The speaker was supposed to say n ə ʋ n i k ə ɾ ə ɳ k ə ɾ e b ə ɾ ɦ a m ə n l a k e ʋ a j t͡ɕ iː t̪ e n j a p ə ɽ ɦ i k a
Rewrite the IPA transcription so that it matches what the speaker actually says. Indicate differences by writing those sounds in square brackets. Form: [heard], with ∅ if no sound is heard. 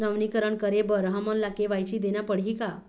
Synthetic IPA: n ə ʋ n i k ə ɾ ə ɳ k ə ɾ e b ə ɾ ɦ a m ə n l a k e ʋ a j t͡ɕ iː [d̪] e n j a p ə ɽ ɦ i k a